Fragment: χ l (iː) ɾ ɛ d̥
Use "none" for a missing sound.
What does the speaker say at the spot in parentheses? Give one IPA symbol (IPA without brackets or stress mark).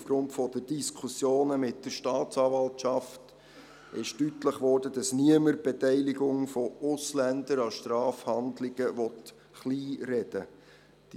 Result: iː